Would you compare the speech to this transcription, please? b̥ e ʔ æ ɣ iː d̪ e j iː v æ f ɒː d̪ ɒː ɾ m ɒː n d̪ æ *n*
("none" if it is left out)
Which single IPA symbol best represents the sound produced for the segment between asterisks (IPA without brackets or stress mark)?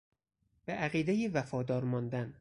n